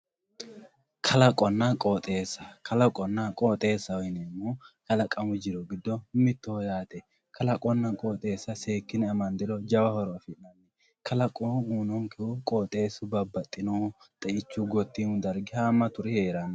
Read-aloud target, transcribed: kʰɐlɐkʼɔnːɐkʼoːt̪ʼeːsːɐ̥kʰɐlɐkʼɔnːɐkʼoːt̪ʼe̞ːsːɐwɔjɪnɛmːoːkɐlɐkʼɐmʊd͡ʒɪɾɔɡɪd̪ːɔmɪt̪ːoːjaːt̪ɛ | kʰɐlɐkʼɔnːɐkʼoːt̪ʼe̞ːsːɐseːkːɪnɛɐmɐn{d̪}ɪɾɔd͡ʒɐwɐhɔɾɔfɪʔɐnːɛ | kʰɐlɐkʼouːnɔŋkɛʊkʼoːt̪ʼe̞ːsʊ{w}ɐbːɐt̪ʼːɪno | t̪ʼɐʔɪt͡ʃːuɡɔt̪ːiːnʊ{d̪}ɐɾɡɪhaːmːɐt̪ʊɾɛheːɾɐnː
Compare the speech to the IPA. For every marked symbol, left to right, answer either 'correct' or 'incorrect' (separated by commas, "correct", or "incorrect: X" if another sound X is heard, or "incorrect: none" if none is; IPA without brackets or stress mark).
correct, incorrect: b, correct